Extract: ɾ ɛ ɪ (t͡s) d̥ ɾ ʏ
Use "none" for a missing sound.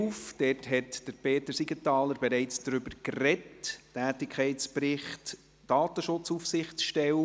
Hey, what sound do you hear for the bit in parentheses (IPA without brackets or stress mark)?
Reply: t͡s